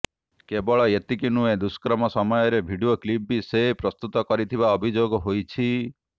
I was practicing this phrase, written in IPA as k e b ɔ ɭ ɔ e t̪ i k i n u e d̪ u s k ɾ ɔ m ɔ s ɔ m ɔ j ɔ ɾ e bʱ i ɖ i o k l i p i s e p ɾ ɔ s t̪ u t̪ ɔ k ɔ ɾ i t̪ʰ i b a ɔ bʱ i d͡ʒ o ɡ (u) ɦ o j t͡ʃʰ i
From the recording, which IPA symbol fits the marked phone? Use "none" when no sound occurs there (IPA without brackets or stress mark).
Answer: ɔ